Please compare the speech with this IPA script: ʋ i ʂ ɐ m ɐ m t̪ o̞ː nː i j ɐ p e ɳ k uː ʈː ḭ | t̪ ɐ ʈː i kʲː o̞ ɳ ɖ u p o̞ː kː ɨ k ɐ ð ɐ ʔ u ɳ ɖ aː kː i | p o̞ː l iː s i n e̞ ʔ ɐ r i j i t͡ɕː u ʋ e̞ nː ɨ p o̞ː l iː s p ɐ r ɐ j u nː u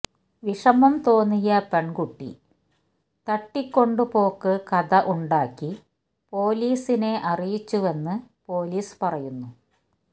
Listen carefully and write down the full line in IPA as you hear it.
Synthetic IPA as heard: ʋ i ʂ ɐ m ɐ m t̪ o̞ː nː i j ɐ p e ɳ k u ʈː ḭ | t̪ ɐ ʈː i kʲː o̞ ɳ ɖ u p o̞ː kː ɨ k ɐ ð ɐ ʔ u ɳ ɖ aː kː i | p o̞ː l iː s i n e̞ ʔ ɐ r i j i t͡ɕː u ʋ e̞ nː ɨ p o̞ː l iː s p ɐ r ɐ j u nː u